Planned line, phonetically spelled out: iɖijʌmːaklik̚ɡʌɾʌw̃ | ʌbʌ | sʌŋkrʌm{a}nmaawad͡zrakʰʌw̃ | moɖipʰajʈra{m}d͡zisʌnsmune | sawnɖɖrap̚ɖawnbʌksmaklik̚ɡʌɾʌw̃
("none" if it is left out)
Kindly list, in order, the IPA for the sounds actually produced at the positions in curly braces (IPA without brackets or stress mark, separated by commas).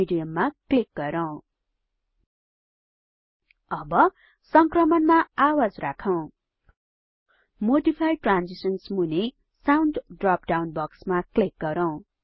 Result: ʌ, n